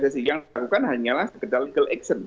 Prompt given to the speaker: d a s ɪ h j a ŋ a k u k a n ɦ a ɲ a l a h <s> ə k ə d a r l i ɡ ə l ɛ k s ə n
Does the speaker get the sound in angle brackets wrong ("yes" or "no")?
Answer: no